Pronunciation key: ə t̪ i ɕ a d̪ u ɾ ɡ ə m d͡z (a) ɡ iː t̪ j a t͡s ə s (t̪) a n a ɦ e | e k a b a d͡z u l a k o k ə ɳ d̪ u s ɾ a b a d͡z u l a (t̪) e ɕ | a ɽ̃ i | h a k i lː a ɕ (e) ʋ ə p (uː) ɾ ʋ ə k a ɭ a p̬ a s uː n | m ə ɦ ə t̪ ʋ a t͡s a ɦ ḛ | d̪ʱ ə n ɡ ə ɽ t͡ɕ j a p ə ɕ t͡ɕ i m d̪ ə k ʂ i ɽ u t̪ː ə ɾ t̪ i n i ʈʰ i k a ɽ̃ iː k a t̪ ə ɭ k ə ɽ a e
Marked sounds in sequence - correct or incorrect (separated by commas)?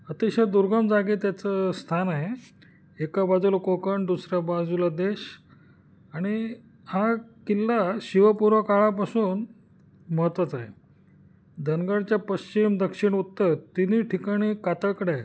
correct, incorrect, incorrect, incorrect, incorrect